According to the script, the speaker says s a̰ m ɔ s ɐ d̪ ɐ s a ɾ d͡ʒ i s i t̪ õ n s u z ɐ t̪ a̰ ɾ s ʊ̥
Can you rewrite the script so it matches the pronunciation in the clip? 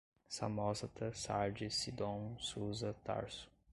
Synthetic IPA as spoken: s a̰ m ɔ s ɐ t̪ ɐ s a ɾ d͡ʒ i s i d̪ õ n s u z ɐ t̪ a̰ ɾ s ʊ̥

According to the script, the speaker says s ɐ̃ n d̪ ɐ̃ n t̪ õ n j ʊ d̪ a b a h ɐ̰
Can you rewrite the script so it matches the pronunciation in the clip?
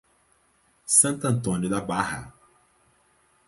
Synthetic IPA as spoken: s ɐ̃ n t̪ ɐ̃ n t̪ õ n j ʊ d̪ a b a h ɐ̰

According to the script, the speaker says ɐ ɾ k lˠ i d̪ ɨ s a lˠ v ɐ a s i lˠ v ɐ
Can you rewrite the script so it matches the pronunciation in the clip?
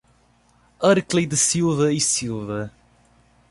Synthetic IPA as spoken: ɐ ɾ k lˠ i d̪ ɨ s i lˠ v ɐ i s i lˠ v ɐ

